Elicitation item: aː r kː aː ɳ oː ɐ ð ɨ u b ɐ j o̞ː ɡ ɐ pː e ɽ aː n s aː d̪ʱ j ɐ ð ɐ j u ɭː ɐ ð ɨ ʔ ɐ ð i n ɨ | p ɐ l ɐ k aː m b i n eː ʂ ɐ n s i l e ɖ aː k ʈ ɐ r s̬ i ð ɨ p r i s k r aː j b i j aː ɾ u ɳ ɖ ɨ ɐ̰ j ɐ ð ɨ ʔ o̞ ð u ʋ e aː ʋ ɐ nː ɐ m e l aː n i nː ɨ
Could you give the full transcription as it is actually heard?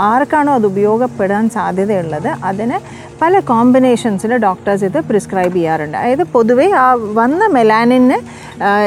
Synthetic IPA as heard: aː r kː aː ɳ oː ɐ ð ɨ u b ɐ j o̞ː ɡ ɐ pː e ɽ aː n s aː d̪ʱ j ɐ ð ɐ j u ɭː ɐ ð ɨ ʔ ɐ ð i n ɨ | p ɐ l ɐ k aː m b i n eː ʂ ɐ n s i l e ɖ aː k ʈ ɐ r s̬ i ð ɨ p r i s k r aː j b i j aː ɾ u ɳ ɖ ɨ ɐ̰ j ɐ ð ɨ p o̞ ð u ʋ e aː ʋ ɐ nː ɐ m e l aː n i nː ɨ